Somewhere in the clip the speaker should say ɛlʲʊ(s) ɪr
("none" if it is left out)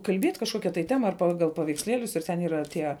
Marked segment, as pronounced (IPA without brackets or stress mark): s